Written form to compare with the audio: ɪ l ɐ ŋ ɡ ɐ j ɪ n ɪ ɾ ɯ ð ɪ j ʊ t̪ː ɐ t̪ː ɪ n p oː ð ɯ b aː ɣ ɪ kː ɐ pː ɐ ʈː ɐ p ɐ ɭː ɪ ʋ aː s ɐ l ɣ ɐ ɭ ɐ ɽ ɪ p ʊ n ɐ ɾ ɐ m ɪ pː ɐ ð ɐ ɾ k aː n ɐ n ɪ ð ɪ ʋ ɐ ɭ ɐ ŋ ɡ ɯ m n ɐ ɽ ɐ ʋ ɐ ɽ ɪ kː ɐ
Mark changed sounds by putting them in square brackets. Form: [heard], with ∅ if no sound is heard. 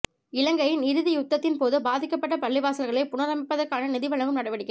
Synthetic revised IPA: ɪ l ɐ ŋ ɡ ɐ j ɪ n ɪ ɾ ɯ ð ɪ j ʊ t̪ː ɐ t̪ː ɪ n p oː ð ɯ b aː [ð] ɪ kː ɐ pː ɐ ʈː ɐ p ɐ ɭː ɪ ʋ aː s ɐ l ɣ ɐ ɭ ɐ [∅] ɪ p ʊ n ɐ ɾ ɐ m ɪ pː ɐ ð ɐ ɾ k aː n ɐ n ɪ ð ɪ ʋ ɐ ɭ ɐ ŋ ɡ ɯ m n ɐ ɽ ɐ ʋ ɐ ɽ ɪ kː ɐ